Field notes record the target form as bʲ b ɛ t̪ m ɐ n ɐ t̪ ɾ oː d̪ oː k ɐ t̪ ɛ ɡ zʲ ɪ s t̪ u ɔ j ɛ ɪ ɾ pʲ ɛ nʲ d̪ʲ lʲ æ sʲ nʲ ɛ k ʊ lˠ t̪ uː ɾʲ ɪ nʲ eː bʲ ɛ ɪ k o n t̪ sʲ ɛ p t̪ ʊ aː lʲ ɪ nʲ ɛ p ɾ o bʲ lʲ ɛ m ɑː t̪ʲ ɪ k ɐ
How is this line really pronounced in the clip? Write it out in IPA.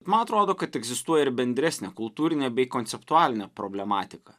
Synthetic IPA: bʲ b ɛ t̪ m ɐ n ɐ t̪ ɾ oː d̪ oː k ɐ t̪ ɛ ɡ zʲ ɪ s t̪ u ɔ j ɛ ɪ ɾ bʲ ɛ nʲ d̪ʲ ɾʲ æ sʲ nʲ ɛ k ʊ lˠ t̪ uː ɾʲ ɪ nʲ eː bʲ ɛ ɪ k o n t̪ sʲ ɛ p t̪ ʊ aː lʲ ɪ nʲ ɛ p ɾ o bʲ lʲ ɛ m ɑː t̪ʲ ɪ k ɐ